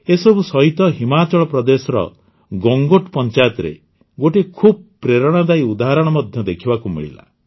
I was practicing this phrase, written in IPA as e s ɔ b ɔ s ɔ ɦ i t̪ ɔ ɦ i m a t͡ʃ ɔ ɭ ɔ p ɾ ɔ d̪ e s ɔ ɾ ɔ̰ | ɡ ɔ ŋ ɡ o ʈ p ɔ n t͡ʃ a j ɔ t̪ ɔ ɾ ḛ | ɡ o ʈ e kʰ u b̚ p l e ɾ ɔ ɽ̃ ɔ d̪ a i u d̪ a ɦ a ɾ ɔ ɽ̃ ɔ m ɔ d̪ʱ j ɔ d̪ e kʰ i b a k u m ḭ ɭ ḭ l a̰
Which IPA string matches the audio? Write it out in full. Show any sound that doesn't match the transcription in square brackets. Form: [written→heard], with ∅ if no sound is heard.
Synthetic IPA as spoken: e s ɔ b [ɔ→u] s ɔ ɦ i t̪ ɔ ɦ i m a t͡ʃ ɔ ɭ ɔ p ɾ ɔ d̪ e s ɔ ɾ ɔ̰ | ɡ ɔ ŋ ɡ o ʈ p ɔ n t͡ʃ a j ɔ t̪ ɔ ɾ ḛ | ɡ o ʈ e kʰ u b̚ p [l→ɾ] e ɾ ɔ ɽ̃ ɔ d̪ a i u d̪ a ɦ a ɾ ɔ ɽ̃ ɔ m ɔ d̪ʱ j ɔ d̪ e kʰ i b a k u m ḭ ɭ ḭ l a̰